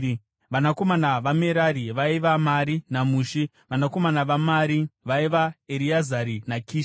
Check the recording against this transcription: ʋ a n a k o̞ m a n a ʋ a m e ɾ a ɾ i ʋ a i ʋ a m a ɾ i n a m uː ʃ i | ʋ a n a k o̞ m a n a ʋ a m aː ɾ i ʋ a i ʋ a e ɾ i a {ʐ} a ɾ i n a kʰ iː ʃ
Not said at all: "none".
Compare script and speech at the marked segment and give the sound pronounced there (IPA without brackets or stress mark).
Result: z